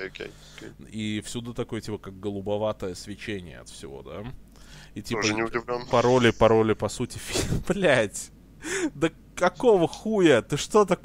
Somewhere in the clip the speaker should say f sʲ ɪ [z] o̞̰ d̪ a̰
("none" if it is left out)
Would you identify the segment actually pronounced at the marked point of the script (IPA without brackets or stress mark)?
v